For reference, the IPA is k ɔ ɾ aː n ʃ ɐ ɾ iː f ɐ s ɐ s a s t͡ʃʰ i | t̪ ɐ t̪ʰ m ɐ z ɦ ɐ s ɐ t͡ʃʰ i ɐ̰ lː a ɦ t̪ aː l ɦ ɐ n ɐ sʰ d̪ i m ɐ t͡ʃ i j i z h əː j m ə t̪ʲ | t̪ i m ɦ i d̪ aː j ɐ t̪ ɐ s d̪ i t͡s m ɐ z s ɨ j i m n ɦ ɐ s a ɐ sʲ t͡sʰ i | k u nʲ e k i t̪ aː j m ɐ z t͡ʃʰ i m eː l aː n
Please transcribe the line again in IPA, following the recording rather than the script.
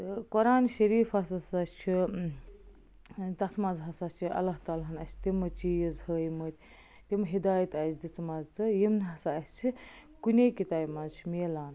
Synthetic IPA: k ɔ ɾ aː n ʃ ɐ ɾ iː f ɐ s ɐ s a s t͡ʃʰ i | t̪ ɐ t̪ʰ m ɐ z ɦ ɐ s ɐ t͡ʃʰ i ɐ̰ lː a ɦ t̪ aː l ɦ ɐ n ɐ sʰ t̪ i m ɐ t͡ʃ i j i z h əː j m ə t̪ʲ | t̪ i m ɦ i d̪ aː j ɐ t̪ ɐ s d̪ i t͡s m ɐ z t͡s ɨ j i m n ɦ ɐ s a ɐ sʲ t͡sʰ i | k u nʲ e k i t̪ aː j m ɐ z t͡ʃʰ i m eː l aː n